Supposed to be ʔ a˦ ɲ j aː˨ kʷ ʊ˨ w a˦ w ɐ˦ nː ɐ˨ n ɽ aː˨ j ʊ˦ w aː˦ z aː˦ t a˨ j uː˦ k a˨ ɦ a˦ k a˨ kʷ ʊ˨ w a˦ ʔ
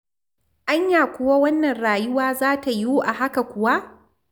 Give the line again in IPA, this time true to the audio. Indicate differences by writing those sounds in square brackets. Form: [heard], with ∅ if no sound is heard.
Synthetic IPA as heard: ʔ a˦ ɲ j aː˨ kʷ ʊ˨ w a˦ w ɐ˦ nː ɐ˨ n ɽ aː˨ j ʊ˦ w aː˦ z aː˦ t a˨ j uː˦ [ʔ] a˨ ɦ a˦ k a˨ kʷ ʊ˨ w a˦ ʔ

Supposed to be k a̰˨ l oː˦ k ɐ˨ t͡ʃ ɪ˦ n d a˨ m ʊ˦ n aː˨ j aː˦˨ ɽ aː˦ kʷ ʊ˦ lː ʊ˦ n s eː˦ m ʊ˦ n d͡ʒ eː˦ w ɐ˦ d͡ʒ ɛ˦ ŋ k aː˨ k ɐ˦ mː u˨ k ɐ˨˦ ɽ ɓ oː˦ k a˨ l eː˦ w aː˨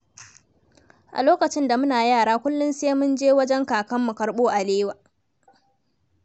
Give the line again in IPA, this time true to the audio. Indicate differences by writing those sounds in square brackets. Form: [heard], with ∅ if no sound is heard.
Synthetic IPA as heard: [ʔ] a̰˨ l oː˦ k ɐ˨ t͡ʃ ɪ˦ n d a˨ m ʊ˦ n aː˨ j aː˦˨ ɽ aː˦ kʷ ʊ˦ lː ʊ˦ n s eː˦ m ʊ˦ n d͡ʒ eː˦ w ɐ˦ d͡ʒ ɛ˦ ŋ k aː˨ k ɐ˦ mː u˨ k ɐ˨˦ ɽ ɓ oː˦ [ʔ] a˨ l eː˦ w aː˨

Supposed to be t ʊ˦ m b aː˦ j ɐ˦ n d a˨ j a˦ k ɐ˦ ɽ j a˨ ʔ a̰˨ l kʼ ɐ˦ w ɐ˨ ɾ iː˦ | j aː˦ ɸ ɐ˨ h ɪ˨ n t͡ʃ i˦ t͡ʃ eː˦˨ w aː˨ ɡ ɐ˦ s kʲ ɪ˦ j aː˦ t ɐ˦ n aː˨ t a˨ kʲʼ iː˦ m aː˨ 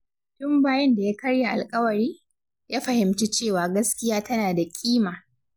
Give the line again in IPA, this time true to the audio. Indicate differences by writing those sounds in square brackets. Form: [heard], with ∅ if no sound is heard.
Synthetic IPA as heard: t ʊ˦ m b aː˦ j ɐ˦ n d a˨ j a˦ k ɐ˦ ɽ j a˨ ʔ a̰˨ l kʼ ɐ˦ w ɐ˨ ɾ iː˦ | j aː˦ ɸ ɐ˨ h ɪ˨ [m] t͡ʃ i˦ t͡ʃ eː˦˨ w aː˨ ɡ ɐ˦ s kʲ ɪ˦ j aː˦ t ɐ˦ n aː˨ [d] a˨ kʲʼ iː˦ m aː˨

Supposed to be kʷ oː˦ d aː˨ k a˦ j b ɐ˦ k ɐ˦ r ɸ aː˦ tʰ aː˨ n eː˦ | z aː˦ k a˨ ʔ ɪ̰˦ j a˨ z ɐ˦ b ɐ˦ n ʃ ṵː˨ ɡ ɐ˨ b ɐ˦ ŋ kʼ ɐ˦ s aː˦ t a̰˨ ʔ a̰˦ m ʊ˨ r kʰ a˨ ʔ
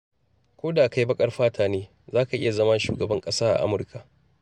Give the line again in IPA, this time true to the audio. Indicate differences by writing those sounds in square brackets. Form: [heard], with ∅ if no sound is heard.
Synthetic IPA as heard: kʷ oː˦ d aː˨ k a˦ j b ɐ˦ [kʼ] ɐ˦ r ɸ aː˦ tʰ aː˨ n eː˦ | z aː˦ k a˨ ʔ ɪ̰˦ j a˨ z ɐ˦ [m] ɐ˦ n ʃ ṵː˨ ɡ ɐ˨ b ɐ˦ ŋ kʼ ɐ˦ s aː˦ [ʔ] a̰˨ ʔ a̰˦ m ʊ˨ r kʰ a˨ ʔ

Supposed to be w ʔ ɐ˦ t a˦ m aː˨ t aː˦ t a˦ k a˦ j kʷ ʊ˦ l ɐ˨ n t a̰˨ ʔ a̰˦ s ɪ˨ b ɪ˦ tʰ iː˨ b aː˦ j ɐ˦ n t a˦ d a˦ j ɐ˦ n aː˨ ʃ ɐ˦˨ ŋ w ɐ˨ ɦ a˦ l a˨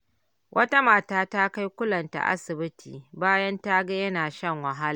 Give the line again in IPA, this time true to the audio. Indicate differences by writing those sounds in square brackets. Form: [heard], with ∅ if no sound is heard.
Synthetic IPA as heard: w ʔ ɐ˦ t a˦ m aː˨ t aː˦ t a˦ k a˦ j kʷ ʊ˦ l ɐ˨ n t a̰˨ ʔ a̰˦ s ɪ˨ b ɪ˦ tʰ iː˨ b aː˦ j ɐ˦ n t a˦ [ɡ] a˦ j ɐ˦ n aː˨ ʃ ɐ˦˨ ŋ w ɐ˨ ɦ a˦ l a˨

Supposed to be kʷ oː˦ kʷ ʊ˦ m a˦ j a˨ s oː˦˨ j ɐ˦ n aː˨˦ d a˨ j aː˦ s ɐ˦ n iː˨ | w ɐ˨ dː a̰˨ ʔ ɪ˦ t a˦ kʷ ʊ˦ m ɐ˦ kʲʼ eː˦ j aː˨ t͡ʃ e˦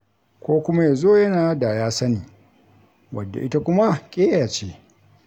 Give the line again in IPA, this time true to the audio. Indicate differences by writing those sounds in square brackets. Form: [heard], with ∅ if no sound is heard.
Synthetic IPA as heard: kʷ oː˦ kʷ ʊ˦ m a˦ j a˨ [z] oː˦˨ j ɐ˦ n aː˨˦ d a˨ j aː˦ s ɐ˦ n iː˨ | w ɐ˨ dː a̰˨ ʔ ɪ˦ t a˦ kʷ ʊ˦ m [a˦] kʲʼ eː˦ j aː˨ t͡ʃ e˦

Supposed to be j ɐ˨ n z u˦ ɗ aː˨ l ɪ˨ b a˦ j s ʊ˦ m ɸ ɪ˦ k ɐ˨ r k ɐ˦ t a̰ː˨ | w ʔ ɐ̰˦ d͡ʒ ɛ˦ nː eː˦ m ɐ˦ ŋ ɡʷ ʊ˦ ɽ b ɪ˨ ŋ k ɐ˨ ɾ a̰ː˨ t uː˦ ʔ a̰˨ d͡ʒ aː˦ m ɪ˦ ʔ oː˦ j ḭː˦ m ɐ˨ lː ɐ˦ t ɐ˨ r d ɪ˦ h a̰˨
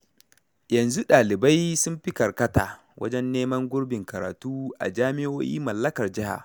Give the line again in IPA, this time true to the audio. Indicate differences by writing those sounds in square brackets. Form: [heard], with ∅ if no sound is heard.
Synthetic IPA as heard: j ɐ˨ n z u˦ ɗ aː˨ l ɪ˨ b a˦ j s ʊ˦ m ɸ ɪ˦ k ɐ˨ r k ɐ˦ t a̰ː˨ | w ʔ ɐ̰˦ d͡ʒ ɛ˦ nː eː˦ m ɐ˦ ŋ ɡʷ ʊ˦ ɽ b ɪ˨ ŋ k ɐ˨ ɾ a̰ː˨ t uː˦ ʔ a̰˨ d͡ʒ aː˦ m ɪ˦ ʔ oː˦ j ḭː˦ m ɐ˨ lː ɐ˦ [k] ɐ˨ r [d͡ʒ] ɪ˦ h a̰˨

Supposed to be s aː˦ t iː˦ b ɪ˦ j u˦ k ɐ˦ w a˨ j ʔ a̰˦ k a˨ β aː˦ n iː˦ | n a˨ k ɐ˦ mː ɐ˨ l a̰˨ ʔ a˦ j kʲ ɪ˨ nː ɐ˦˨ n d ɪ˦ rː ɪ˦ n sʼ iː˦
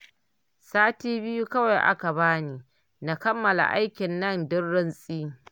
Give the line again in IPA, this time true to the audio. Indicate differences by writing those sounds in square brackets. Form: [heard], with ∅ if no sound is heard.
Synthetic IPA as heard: s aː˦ t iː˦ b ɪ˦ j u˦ k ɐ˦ w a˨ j ʔ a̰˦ k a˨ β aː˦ n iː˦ | n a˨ k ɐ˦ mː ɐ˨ l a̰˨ ʔ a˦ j kʲ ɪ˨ nː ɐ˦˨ n d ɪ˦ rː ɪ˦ n sʼ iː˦

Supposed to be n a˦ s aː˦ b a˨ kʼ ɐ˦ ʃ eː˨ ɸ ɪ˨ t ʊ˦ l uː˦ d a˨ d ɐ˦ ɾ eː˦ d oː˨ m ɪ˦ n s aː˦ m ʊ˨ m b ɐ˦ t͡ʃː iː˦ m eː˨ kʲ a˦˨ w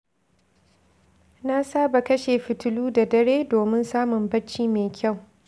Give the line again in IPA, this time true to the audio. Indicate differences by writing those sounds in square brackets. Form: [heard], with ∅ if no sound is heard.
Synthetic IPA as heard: n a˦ s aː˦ b a˨ [k] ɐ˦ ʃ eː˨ ɸ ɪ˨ t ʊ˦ l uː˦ d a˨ d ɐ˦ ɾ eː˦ d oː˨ m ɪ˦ n s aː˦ m ʊ˨ m b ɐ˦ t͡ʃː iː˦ m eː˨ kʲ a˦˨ w

